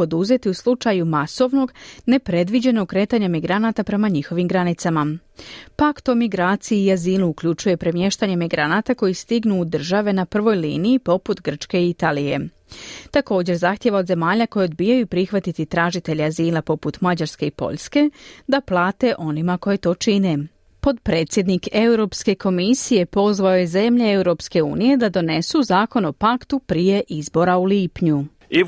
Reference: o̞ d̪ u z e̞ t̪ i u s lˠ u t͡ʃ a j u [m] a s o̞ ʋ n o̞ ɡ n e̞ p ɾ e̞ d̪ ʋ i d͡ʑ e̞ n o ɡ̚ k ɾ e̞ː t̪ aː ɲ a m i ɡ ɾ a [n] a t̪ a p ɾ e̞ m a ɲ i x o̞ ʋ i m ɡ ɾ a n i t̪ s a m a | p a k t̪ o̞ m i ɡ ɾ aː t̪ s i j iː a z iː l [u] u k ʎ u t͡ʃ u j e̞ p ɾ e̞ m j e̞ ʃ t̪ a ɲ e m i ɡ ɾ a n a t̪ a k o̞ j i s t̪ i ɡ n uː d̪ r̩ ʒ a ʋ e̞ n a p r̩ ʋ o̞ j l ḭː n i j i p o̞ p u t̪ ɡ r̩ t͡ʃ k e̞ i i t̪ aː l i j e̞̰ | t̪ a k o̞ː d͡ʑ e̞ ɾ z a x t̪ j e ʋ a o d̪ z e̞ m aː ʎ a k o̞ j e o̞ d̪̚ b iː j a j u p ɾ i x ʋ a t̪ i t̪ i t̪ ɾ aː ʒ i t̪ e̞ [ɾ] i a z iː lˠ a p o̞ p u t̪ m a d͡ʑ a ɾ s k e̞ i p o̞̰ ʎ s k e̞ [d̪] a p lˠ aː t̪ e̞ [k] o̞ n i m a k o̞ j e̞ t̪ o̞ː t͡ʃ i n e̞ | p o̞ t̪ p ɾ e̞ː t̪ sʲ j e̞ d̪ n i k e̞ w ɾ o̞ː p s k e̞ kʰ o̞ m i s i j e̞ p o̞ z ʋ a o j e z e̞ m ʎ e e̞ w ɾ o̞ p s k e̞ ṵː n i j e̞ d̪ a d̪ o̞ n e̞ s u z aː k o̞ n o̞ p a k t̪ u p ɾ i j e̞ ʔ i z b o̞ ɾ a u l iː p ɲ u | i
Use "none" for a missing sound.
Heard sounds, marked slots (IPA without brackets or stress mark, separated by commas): m, n, u, ʎ, d̪, ʔ